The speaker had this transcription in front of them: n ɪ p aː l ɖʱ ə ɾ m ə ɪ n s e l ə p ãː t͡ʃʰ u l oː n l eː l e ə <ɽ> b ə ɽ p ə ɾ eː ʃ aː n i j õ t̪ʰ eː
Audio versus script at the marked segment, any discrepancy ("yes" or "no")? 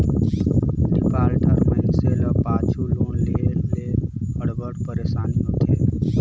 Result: no